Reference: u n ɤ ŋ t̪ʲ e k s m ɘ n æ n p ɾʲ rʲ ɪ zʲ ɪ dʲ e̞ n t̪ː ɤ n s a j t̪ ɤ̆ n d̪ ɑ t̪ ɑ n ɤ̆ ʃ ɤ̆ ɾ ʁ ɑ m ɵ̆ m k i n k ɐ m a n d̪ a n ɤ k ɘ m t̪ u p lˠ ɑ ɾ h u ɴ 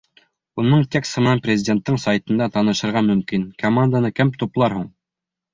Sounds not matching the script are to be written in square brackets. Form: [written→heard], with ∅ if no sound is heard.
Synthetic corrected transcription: u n ɤ [ŋ→ɴ] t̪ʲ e k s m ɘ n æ n p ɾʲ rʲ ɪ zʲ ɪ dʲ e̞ n t̪ː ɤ [n→ɴ] s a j t̪ ɤ̆ n d̪ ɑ t̪ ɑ n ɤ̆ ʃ ɤ̆ ɾ ʁ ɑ m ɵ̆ m k i n k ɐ m a n d̪ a n ɤ k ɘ m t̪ u p lˠ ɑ ɾ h u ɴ